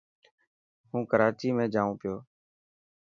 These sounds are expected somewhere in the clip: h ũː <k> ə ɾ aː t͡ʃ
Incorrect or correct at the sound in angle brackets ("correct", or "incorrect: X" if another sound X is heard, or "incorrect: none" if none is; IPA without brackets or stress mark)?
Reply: correct